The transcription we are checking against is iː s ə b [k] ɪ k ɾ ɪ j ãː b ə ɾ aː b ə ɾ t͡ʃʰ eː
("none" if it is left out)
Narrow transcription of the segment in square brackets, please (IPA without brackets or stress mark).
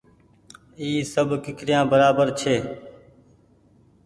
k